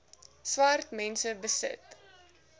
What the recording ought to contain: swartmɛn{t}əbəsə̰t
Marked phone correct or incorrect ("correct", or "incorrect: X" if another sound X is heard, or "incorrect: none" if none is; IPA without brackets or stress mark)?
incorrect: s